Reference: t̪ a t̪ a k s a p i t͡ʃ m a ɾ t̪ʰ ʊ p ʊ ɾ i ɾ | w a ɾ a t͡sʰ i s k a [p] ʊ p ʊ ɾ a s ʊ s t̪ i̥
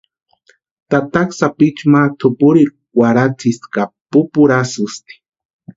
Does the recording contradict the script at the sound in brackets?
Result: no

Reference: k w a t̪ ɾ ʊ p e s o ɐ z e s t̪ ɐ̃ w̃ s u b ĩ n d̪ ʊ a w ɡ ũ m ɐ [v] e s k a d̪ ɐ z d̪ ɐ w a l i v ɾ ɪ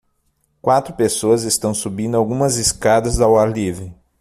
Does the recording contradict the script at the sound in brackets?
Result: yes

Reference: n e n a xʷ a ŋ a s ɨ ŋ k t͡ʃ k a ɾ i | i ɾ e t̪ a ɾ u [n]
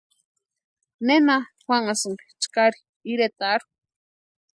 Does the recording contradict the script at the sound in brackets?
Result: yes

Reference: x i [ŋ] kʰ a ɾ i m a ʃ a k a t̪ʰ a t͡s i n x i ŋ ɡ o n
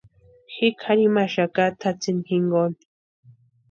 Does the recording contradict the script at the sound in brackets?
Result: yes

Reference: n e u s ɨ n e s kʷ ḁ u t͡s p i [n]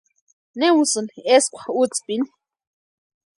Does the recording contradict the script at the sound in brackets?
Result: no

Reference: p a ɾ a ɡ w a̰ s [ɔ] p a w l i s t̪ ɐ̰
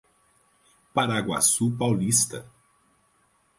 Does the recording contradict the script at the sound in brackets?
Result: yes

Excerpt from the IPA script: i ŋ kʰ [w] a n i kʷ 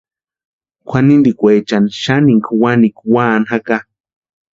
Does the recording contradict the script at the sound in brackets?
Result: no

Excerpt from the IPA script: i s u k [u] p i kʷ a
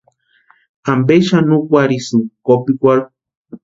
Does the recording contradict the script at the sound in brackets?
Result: yes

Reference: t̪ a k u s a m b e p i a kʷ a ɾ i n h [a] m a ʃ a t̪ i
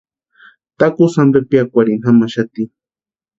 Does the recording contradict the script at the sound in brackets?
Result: no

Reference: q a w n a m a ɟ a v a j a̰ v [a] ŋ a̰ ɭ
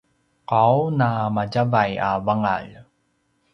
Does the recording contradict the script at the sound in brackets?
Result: no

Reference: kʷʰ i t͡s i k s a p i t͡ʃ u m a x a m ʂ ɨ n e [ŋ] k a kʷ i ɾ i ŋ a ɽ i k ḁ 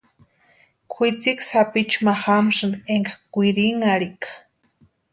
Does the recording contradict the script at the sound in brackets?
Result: no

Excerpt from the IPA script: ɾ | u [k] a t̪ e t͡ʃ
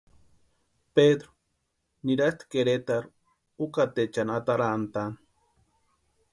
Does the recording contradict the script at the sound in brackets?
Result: no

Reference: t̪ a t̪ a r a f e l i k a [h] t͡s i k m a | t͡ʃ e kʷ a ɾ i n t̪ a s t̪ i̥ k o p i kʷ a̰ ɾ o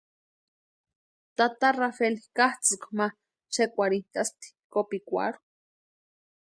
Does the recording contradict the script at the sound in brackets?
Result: no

